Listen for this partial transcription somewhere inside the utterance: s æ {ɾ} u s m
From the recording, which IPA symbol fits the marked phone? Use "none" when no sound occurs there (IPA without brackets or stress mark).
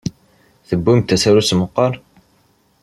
ɾ